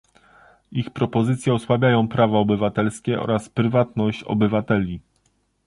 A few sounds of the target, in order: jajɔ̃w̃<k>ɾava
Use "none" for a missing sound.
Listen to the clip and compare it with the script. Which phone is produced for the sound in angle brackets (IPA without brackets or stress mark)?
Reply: p